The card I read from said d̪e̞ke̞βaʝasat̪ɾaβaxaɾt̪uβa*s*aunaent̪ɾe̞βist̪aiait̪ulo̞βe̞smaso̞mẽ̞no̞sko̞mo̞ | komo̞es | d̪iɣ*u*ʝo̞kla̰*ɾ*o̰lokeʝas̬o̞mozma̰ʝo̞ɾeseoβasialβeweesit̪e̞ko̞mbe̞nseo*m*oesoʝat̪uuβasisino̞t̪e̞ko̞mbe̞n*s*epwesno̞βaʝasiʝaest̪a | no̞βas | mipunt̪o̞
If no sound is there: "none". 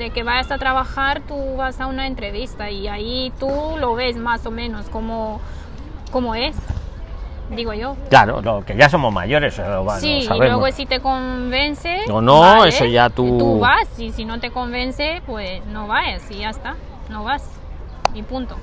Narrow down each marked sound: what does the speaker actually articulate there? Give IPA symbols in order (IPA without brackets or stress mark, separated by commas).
s, o, ɾ, n, s